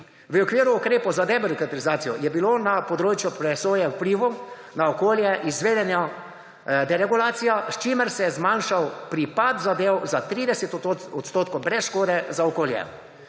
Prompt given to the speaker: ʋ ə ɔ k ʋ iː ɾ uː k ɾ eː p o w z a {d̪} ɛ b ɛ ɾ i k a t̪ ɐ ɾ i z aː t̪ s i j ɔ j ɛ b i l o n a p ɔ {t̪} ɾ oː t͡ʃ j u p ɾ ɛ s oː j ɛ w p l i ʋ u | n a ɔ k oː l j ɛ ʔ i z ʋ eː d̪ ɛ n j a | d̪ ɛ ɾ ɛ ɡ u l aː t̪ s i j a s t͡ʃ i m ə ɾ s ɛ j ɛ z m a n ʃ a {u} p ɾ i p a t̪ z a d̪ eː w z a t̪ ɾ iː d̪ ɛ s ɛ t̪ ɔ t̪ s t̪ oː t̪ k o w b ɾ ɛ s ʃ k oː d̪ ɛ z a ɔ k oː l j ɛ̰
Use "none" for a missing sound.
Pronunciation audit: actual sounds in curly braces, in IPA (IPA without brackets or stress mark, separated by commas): d̪, d̪, w